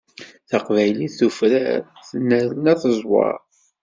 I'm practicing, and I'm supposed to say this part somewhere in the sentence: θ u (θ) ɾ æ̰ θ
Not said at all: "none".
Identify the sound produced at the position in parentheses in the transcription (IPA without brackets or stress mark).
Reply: f